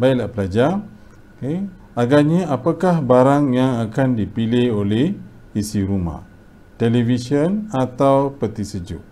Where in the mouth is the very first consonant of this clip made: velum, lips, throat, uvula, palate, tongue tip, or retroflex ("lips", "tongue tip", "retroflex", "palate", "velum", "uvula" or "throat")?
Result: lips